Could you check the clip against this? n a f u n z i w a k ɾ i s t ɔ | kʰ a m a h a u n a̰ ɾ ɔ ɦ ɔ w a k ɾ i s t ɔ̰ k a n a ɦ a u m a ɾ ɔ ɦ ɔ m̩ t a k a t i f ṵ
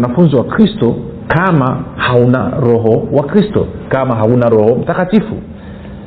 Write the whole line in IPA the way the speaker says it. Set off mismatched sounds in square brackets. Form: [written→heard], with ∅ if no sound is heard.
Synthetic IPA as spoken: n a f u n z i w a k ɾ i s t ɔ | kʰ a m a h a u n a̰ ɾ ɔ ɦ ɔ w a k ɾ i s t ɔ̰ k a [n→m] a ɦ a u [m→n] a ɾ ɔ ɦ ɔ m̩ t a k a t i f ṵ